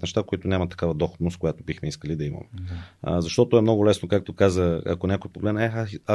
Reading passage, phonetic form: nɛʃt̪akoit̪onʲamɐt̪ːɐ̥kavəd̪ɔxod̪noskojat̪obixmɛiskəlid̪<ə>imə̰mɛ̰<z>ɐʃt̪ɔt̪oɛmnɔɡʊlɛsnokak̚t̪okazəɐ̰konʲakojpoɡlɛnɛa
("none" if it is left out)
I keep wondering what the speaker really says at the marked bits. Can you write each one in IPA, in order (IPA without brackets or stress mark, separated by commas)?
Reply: ɐ, z